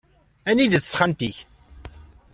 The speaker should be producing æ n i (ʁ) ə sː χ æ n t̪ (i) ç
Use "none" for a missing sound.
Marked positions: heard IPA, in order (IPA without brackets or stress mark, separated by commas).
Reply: ð, i